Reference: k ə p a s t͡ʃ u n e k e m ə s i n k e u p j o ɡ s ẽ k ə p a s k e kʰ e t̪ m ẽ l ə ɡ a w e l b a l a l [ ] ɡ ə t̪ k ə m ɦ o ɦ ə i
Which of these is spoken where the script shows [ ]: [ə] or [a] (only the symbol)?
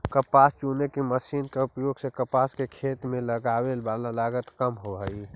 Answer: a